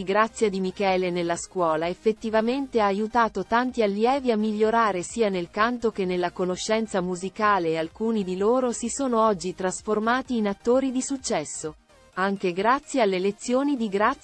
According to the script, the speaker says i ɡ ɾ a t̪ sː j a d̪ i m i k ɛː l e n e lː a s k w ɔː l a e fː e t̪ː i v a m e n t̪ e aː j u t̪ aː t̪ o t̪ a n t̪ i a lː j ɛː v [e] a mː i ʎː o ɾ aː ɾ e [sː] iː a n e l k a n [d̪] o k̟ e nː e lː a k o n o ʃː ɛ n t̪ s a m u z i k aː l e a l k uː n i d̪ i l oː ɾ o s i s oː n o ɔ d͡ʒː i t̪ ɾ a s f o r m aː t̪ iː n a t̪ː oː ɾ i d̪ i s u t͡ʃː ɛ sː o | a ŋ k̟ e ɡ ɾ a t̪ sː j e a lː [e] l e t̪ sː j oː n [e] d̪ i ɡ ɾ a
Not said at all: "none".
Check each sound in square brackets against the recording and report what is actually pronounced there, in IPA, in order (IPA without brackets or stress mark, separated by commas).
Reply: i, s, t̪, e, i